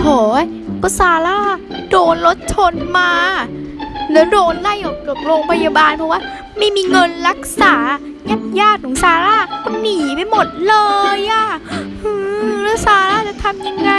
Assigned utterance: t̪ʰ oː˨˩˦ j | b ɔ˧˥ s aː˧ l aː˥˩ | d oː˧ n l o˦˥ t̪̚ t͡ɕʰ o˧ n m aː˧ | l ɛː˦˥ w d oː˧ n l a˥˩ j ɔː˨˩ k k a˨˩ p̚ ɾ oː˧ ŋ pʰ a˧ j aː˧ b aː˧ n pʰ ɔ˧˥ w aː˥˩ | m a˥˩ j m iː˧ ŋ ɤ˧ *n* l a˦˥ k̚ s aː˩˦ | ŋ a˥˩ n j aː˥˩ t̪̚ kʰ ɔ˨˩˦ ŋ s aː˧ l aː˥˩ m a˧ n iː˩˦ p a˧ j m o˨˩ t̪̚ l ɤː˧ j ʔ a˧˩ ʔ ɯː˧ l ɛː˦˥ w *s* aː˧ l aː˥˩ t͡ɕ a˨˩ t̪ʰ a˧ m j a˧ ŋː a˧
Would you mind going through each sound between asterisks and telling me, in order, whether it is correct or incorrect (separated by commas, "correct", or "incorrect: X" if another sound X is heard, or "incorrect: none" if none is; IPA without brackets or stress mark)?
correct, correct